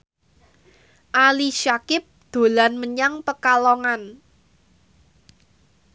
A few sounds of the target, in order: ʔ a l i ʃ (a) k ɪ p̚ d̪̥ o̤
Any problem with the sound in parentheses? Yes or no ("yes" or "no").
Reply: no